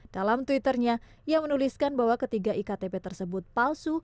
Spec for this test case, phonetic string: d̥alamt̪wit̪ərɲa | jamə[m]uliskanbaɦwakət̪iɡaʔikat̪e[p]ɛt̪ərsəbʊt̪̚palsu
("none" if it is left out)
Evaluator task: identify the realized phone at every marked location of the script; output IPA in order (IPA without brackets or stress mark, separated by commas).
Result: n, p